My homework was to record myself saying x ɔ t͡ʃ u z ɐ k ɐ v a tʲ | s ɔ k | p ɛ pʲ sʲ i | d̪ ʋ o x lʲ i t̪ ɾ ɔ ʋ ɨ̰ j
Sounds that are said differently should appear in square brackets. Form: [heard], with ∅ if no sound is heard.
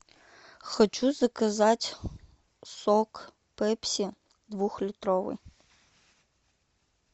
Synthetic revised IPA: x ɔ t͡ʃ u z ɐ k ɐ [z] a tʲ | s ɔ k | p ɛ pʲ sʲ i | d̪ ʋ [u] x lʲ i t̪ ɾ ɔ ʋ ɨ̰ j

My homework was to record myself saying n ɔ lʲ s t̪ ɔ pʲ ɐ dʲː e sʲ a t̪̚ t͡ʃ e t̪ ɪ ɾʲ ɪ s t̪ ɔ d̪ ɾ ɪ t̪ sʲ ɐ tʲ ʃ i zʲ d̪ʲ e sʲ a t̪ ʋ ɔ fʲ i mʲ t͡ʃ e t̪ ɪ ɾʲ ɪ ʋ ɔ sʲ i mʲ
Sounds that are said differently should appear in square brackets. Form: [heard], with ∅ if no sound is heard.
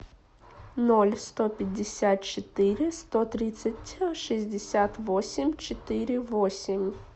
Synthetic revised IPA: n ɔ lʲ s t̪ ɔ pʲ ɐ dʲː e sʲ a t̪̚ t͡ʃ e t̪ ɪ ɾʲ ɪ s t̪ ɔ [t̪] ɾ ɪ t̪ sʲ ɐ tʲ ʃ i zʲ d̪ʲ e sʲ a t̪ ʋ ɔ [sʲ] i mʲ t͡ʃ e t̪ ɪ ɾʲ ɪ ʋ ɔ sʲ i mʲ

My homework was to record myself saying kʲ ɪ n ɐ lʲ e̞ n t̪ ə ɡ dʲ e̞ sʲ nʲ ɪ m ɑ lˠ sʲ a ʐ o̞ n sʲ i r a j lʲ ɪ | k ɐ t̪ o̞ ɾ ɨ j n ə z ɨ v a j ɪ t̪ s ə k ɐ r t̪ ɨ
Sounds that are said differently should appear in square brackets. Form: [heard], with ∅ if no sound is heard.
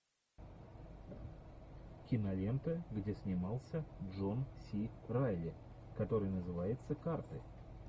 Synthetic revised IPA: kʲ ɪ n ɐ lʲ e̞ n t̪ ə ɡ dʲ e̞ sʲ nʲ ɪ m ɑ lˠ sʲ [ə] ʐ o̞ n sʲ i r a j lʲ ɪ | k ɐ t̪ o̞ ɾ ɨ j n ə z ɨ v a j ɪ t̪ s ə k [a] r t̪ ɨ

